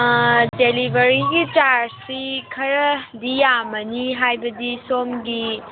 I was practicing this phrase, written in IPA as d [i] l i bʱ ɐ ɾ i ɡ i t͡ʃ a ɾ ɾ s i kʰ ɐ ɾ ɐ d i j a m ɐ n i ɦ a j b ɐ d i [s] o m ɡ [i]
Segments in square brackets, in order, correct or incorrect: incorrect: e, correct, correct

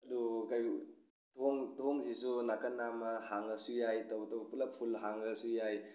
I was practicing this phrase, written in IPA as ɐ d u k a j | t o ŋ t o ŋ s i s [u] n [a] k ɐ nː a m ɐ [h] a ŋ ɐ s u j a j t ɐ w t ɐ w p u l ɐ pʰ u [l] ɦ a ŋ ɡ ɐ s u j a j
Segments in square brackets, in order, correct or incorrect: correct, correct, correct, correct

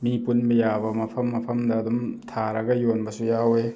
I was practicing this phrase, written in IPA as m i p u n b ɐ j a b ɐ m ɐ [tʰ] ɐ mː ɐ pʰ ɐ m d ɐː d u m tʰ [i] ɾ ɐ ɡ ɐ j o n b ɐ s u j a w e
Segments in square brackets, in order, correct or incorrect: incorrect: pʰ, incorrect: a

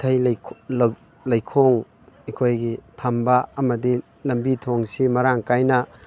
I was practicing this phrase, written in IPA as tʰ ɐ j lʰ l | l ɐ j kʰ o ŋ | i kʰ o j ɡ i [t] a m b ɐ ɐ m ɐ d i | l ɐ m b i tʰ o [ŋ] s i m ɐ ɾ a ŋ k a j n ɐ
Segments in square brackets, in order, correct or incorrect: incorrect: tʰ, correct

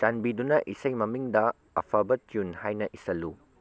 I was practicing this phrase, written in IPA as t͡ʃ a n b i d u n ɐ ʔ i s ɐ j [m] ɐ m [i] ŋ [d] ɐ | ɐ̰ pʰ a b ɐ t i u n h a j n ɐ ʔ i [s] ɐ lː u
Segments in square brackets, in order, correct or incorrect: correct, correct, correct, correct

